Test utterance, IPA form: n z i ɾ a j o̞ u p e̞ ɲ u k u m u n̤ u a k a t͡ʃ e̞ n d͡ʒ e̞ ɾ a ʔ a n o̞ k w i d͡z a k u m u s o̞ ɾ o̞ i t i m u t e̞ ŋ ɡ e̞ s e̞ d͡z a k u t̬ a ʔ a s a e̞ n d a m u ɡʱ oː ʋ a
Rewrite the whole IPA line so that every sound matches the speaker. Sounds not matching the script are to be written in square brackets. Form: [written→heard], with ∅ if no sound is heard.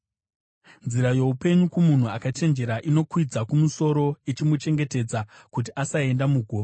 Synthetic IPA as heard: n z i ɾ a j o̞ u p e̞ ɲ u k u m u n̤ u a k a t͡ʃ e̞ n d͡ʒ e̞ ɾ a ʔ [a→i] n o̞ k w i d͡z a k u m u s o̞ ɾ o̞ i [t→t͡ʃ] i m u [t→t͡ʃ] e̞ ŋ ɡ e̞ [s→t] e̞ d͡z a k u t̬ [a→i] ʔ a s a e̞ n d a m u ɡʱ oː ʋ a